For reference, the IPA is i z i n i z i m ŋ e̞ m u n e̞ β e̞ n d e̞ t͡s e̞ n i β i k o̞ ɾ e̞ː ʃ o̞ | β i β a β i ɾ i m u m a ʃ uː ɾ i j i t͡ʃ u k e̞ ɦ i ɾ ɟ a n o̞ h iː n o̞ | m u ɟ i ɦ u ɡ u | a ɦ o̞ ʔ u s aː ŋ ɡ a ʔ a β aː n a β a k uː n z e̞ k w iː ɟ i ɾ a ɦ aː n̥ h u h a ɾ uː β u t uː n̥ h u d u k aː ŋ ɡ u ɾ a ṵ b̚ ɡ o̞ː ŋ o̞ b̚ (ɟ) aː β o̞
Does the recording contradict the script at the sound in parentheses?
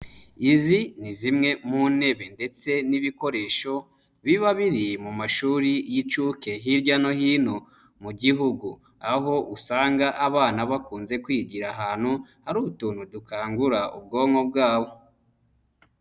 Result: yes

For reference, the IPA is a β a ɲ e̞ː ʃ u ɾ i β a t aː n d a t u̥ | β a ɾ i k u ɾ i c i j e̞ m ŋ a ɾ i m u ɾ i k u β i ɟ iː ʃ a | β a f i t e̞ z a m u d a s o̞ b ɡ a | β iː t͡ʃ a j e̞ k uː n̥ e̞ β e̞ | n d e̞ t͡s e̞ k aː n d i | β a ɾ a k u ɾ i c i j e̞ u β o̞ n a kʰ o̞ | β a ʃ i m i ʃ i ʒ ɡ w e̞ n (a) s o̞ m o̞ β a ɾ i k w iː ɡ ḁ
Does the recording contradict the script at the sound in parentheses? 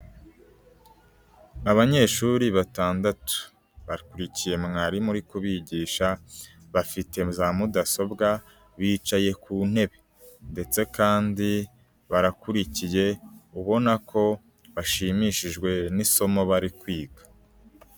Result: yes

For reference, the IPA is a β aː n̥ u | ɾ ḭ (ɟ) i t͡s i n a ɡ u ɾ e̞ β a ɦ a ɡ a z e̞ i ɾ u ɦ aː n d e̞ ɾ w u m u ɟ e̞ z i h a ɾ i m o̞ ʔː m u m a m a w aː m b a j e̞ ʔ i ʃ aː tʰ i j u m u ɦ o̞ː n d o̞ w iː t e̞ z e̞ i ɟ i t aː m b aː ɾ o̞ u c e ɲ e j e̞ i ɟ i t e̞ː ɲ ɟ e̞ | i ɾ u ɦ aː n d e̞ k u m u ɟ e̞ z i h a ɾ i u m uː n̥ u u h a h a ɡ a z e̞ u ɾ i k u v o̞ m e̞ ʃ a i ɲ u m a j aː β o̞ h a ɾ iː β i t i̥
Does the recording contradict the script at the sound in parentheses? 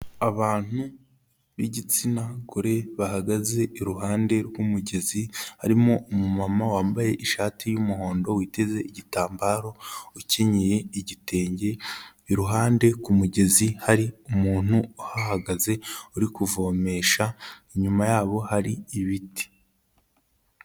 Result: no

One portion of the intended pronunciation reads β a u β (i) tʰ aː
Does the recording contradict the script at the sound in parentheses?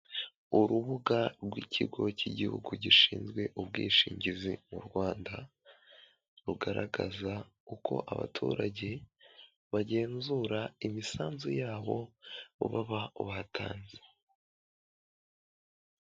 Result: yes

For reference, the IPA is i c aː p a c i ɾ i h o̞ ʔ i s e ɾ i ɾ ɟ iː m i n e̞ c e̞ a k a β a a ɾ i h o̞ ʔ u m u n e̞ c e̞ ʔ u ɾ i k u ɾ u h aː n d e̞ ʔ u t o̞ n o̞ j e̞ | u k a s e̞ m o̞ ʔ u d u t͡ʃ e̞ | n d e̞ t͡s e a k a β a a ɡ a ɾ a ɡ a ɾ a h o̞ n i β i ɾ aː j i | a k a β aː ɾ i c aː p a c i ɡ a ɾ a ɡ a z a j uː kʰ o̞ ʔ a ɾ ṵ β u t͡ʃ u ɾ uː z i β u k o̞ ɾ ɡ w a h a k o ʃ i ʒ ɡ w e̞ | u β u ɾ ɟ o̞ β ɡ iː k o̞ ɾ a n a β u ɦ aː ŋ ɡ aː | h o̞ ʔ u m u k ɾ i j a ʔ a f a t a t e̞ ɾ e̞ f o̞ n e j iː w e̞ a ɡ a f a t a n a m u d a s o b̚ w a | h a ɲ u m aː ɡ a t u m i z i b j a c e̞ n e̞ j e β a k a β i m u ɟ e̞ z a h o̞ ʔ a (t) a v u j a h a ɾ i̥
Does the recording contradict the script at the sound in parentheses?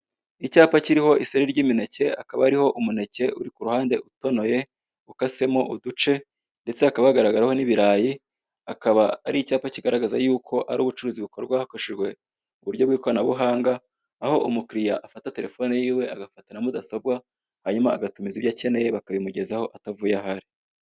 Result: no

